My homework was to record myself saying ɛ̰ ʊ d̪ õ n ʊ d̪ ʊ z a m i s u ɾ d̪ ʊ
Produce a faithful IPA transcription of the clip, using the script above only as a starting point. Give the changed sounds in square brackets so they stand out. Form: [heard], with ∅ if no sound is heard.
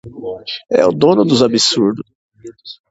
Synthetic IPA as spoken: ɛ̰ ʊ d̪ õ n ʊ d̪ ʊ z a [b] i s u ɾ d̪ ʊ